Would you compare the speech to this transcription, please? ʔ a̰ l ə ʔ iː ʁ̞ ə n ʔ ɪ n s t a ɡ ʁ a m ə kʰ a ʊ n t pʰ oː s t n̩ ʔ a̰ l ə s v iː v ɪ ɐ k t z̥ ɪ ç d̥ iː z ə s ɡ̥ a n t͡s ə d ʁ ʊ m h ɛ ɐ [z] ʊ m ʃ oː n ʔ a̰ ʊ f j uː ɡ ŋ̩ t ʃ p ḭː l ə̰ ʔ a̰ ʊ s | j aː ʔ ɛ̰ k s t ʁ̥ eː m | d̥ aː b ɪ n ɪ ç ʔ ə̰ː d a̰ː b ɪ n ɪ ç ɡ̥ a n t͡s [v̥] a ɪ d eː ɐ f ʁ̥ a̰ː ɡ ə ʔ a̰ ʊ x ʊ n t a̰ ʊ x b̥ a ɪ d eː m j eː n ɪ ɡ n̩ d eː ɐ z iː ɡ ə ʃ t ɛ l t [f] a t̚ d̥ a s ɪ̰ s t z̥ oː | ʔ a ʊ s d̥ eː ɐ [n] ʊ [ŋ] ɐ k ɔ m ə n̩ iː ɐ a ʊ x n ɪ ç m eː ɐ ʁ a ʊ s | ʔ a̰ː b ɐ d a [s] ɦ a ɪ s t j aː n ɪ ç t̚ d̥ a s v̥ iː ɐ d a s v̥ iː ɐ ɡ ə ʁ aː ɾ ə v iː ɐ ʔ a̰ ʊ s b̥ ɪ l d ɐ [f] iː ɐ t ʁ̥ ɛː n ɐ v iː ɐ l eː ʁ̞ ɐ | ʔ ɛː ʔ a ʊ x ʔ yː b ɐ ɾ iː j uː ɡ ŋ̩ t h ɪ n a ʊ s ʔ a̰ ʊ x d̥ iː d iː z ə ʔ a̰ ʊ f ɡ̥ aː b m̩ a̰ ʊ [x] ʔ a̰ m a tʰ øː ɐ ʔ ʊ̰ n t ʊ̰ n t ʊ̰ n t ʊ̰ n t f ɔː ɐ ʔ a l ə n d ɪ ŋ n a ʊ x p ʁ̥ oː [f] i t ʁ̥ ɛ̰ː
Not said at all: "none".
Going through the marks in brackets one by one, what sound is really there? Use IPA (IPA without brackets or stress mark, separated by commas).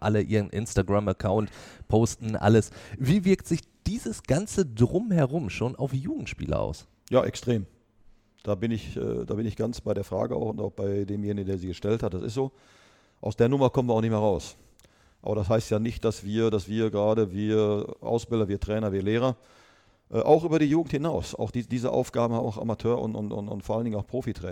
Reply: ʁ, b̥, h, n, m, s, v, x, f